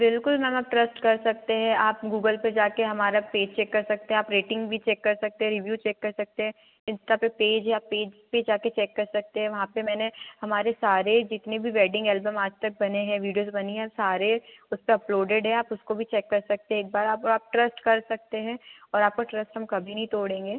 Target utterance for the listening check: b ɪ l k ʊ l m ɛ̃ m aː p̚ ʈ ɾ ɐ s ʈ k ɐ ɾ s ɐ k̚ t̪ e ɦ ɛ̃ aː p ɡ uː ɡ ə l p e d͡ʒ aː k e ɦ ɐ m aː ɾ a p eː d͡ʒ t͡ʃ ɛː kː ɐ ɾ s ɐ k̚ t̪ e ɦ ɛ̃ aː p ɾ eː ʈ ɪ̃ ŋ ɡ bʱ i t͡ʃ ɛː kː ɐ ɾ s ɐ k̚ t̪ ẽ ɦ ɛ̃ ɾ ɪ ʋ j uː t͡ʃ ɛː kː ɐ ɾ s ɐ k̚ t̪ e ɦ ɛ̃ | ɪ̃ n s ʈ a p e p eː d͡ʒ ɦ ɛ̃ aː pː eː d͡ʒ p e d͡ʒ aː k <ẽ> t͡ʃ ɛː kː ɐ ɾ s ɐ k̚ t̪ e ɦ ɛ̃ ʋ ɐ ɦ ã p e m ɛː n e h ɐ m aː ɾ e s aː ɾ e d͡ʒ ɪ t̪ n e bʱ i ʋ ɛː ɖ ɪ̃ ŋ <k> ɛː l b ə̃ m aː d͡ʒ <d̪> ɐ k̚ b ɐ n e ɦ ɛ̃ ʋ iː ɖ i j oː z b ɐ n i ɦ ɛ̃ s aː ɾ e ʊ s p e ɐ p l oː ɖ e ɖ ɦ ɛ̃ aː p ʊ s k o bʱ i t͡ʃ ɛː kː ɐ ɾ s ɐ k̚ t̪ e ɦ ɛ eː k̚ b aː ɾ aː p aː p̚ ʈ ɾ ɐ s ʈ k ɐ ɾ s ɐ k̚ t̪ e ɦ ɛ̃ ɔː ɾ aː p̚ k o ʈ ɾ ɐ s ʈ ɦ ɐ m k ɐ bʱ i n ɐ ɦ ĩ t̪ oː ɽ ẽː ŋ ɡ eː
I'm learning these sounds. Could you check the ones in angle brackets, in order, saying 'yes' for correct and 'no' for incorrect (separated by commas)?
no, no, no